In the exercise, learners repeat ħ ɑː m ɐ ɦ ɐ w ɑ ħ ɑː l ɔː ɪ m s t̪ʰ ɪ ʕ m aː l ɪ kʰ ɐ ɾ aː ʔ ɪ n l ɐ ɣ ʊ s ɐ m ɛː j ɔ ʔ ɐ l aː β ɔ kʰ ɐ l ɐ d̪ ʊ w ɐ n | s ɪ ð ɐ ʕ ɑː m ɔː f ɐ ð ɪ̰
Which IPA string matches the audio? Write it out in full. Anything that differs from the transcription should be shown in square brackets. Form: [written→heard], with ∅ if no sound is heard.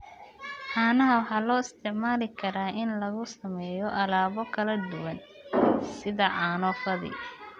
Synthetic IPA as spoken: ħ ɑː [m→n] ɐ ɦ ɐ w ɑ ħ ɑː l ɔː ɪ [m→∅] s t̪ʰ ɪ ʕ m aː l ɪ kʰ ɐ ɾ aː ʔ ɪ n l ɐ ɣ ʊ s ɐ m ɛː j ɔ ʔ ɐ l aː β ɔ kʰ ɐ l ɐ d̪ ʊ w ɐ n | s ɪ ð ɐ ʕ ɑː [m→n] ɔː f ɐ ð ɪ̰